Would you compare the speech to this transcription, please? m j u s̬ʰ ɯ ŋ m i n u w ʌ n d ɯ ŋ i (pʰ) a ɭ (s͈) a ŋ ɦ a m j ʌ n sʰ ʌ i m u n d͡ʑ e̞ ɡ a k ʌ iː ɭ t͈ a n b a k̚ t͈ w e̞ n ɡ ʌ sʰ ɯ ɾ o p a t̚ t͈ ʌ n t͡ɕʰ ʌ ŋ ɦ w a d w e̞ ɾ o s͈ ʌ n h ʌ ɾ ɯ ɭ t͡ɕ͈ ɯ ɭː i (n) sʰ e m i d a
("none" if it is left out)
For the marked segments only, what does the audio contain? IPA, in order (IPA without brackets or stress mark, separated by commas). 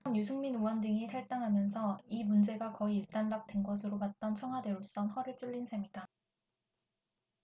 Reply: tʰ, t͈, n